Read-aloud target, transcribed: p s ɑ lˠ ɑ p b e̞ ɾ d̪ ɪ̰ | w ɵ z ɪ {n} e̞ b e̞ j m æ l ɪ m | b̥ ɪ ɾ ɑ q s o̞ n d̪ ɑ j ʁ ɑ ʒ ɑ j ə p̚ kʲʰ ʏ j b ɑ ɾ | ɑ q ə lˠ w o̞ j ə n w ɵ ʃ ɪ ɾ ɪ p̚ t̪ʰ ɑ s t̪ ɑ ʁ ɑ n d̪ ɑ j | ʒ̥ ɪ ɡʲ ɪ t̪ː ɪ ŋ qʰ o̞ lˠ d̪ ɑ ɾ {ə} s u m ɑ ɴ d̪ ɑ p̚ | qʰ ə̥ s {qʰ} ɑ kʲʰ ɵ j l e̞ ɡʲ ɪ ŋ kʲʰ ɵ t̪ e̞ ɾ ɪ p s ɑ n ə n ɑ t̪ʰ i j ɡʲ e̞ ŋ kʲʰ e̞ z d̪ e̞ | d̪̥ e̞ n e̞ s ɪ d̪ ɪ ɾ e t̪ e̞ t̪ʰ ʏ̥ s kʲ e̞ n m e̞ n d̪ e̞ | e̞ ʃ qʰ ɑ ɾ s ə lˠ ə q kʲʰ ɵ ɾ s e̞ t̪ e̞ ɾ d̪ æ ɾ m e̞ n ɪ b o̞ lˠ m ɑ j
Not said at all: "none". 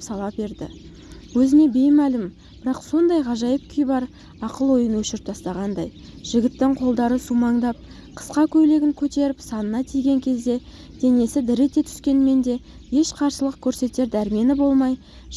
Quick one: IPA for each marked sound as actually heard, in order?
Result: n, ə, q

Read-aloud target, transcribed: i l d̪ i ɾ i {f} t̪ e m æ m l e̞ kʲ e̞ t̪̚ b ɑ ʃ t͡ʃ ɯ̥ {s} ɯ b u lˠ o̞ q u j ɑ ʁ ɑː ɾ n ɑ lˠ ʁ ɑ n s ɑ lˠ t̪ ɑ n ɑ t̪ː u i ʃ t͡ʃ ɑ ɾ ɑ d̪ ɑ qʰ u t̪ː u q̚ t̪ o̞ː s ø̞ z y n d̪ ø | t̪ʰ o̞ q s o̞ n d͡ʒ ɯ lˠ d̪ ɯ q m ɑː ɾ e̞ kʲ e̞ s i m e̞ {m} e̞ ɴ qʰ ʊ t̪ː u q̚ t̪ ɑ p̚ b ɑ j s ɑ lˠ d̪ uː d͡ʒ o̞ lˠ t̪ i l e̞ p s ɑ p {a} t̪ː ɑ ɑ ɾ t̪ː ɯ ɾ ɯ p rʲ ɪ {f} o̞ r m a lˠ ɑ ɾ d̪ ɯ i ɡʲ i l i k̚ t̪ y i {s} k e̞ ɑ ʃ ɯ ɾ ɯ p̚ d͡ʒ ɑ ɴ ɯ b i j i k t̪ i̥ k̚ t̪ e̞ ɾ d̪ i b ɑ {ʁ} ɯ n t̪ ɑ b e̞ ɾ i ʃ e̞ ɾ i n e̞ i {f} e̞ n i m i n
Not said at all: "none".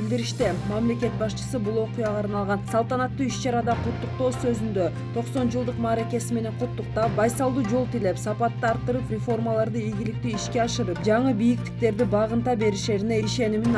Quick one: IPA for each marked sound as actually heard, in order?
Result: ʃ, s, n, ɑ, f, ʃ, ʁ, ʃ

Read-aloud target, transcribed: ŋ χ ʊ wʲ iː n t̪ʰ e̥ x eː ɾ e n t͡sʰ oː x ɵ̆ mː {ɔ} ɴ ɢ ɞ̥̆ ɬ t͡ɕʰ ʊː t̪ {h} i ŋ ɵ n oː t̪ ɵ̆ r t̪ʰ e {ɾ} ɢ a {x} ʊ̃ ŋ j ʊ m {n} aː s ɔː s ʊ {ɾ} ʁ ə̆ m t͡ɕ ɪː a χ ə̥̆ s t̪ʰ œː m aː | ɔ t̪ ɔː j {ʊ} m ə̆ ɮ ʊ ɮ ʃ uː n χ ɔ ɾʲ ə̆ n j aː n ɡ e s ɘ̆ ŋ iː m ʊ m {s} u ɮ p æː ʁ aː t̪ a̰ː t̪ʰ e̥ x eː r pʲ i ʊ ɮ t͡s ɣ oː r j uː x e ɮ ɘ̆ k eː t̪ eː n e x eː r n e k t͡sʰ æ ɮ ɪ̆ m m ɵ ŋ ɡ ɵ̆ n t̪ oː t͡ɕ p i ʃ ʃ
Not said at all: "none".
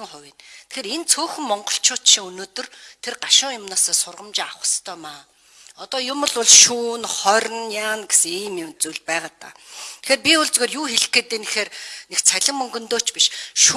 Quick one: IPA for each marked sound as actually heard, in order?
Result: ɔ, ʃ, r, ʃ, n, r, ʊ, t͡s

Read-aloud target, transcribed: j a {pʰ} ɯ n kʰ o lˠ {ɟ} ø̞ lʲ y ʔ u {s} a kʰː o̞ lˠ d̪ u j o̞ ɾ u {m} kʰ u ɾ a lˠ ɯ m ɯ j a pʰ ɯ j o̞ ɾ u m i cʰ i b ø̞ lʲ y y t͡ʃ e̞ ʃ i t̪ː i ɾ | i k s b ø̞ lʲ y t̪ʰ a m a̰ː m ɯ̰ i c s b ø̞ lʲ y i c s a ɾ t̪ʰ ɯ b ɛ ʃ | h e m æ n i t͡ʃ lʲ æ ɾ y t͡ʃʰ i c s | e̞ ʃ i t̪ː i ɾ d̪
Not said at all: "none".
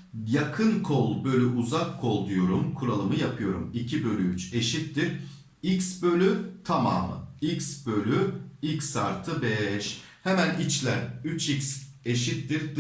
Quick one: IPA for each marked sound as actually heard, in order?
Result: kʰ, b, z, m

